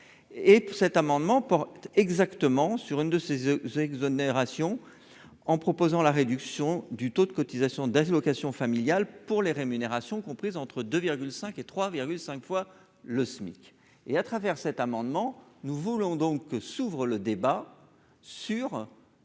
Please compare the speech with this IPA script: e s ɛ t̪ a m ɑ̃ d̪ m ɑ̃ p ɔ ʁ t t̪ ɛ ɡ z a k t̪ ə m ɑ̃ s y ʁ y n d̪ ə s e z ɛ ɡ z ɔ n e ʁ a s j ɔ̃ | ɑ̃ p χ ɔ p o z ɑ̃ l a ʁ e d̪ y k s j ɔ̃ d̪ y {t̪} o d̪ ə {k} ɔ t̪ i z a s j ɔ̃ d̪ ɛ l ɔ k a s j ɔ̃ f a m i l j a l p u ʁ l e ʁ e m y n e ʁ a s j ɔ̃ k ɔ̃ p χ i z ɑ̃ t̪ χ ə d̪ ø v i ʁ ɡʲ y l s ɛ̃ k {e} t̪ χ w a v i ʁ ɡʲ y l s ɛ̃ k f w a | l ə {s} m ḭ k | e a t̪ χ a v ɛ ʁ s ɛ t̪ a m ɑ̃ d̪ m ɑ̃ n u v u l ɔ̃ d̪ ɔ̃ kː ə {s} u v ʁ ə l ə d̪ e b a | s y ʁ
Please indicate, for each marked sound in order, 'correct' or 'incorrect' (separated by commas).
correct, correct, correct, correct, correct